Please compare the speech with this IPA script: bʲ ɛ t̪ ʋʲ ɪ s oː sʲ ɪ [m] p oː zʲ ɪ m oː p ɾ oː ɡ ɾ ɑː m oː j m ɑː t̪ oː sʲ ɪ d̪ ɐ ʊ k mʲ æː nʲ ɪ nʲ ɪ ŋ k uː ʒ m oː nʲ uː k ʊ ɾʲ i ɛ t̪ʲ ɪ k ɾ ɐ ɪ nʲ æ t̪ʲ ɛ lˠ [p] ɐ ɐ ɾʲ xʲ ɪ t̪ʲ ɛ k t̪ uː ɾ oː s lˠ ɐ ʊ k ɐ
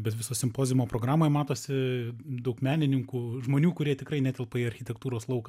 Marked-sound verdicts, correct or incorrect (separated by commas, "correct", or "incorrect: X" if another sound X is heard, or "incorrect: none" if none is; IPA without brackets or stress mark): correct, correct